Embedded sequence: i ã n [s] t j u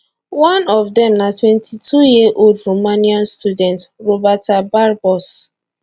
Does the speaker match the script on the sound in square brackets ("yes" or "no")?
yes